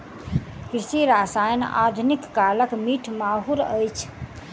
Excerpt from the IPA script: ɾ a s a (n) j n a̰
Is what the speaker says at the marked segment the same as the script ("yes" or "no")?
no